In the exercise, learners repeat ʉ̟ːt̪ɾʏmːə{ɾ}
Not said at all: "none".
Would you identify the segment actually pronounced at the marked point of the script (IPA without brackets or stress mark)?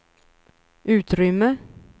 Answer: none